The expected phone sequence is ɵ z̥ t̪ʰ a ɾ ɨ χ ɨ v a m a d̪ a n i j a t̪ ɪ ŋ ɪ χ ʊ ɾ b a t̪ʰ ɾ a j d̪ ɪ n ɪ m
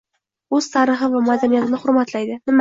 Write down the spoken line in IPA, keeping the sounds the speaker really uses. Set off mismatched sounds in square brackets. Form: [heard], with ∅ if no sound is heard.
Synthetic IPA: ɵ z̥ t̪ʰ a ɾ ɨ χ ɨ v a m a d̪ a n i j a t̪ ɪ [n] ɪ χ ʊ ɾ [m] a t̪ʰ [l] a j d̪ ɪ n ɪ m